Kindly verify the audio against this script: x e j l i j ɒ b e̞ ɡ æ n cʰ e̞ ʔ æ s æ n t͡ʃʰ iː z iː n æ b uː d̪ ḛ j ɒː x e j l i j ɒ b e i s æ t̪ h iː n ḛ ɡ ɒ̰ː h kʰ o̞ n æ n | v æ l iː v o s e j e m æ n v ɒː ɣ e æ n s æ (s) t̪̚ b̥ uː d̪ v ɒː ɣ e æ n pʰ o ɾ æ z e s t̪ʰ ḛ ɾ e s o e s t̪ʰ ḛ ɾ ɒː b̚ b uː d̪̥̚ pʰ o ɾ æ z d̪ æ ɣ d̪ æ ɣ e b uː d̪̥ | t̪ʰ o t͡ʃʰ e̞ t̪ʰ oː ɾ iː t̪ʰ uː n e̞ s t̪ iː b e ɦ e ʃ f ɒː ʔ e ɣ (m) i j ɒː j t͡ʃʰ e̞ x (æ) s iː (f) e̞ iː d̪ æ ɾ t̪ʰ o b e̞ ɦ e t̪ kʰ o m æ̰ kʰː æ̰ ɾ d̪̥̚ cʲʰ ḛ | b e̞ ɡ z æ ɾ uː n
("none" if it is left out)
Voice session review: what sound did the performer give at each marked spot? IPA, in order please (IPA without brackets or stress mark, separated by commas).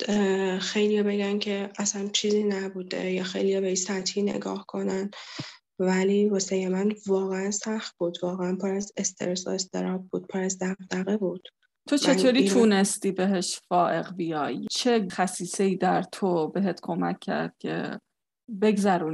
x, b, æ, s